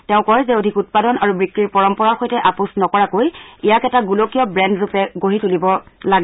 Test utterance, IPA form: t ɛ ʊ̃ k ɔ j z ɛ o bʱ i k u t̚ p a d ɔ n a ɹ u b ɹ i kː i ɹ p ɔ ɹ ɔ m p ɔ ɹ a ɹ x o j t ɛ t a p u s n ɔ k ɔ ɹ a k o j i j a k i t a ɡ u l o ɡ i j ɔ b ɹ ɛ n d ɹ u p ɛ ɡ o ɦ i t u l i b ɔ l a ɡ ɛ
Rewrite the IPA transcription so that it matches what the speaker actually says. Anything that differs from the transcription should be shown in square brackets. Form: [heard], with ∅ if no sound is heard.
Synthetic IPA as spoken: t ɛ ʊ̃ k ɔ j z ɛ o [dʱ] i k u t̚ p a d ɔ n a ɹ u b ɹ i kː i ɹ p ɔ ɹ ɔ m p ɔ ɹ a ɹ x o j t ɛ [ʔ] a p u s n ɔ k ɔ ɹ a k o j i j a k [ɛ] t a ɡ u l o [k] i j ɔ b ɹ ɛ n d ɹ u p ɛ ɡ o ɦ i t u l i b ɔ l a ɡ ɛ

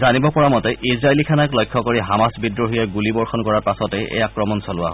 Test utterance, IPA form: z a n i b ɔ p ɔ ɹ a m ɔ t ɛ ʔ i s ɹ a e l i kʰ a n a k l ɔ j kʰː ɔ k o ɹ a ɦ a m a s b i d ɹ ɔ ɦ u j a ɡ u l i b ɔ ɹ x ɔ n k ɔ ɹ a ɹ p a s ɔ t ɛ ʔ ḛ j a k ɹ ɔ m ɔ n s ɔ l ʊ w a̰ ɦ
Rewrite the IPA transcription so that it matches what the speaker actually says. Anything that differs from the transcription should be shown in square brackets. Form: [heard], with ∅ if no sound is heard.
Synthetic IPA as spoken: z a n i b ɔ p ɔ ɹ a m ɔ t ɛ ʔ i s ɹ a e l i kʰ a n a k l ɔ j kʰː ɔ k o ɹ [i] ɦ a m a s b i d ɹ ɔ ɦ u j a ɡ u l i b ɔ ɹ x ɔ n k ɔ ɹ a ɹ p a s ɔ t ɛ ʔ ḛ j a k ɹ ɔ m ɔ n s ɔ l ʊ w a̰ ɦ

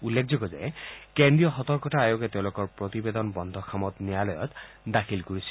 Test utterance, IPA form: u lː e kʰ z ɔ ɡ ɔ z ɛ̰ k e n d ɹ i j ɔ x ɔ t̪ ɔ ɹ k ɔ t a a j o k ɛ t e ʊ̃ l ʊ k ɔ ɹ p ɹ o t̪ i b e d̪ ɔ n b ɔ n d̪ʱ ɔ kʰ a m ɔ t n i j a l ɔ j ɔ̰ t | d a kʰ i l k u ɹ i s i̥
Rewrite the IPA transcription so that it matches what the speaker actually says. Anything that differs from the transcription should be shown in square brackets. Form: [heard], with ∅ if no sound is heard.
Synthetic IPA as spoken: u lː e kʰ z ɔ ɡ ɔ z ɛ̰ k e n d ɹ i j ɔ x ɔ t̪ ɔ ɹ k ɔ t a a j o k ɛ t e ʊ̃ l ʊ k ɔ ɹ p ɹ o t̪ i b e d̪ ɔ n b ɔ n d̪ʱ ɔ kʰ a m ɔ t n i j a l ɔ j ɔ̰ t | d a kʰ i l k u ɹ i s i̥

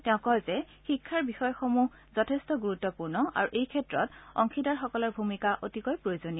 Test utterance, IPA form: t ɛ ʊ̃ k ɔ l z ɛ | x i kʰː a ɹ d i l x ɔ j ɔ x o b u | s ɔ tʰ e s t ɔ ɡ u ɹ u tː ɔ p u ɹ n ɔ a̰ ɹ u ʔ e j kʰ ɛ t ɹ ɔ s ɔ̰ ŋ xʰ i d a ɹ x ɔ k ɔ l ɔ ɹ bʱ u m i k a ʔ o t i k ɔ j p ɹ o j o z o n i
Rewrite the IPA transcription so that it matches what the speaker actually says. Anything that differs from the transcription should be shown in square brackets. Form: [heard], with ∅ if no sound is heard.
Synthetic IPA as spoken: t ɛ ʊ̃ k ɔ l z ɛ | x i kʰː a ɹ [b] i [∅] x ɔ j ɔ x o [m] u | [z] ɔ tʰ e s t ɔ ɡ u ɹ u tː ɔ p u ɹ n ɔ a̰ ɹ u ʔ e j kʰ ɛ t ɹ ɔ [t] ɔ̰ ŋ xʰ i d a ɹ x ɔ k ɔ l ɔ ɹ bʱ u m i k a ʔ o t i k ɔ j p ɹ o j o z o n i

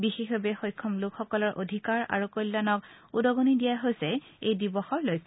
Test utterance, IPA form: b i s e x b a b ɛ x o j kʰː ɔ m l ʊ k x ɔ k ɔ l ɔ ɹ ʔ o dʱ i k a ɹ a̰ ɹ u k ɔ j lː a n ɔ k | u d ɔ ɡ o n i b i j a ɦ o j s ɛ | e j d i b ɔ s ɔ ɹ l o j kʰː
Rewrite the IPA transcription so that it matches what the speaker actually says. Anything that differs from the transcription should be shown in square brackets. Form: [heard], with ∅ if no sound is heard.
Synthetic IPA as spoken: b i [x] e x b a b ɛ x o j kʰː ɔ m l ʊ k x ɔ k ɔ l ɔ ɹ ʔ o dʱ i k a ɹ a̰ ɹ u k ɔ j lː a n ɔ k | u d ɔ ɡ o n i [d] i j a ɦ o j s ɛ | e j d i b ɔ [x] ɔ ɹ l o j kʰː

